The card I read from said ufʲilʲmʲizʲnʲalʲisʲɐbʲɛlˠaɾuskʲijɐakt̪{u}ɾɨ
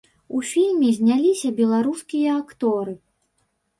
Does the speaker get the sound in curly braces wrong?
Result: yes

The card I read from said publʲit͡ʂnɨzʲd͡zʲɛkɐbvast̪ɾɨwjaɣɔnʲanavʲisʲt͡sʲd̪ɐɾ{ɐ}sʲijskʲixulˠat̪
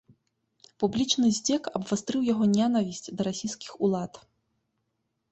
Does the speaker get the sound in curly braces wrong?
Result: yes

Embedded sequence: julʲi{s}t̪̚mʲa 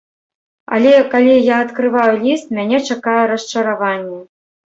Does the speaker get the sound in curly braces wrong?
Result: no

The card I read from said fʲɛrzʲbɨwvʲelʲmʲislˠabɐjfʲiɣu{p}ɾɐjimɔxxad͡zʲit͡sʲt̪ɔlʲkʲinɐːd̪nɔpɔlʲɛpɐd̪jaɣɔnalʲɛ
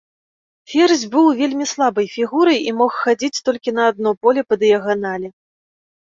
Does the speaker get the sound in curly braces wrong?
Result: yes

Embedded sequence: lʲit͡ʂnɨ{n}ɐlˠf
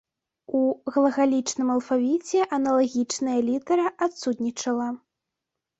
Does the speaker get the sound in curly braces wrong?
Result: yes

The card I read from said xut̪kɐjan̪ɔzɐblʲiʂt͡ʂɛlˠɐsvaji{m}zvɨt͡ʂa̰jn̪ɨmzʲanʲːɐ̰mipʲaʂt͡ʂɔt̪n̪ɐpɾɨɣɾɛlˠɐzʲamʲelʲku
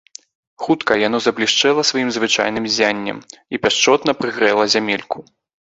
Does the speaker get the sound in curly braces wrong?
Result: no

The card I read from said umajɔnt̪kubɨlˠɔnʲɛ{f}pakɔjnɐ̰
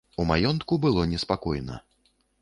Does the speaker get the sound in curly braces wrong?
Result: yes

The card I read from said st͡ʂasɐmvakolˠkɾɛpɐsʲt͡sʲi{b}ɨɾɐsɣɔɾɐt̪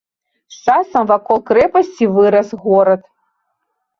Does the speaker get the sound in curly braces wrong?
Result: yes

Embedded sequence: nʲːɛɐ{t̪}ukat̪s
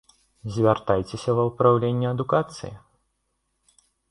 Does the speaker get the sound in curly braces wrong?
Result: yes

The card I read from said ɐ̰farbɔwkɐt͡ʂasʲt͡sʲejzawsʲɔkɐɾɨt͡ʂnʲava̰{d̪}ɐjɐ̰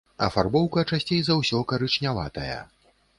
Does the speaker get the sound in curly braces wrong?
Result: yes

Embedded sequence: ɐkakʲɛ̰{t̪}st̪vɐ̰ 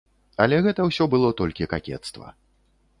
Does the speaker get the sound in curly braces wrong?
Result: no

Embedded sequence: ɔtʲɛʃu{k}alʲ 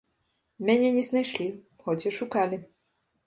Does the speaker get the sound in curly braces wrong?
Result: no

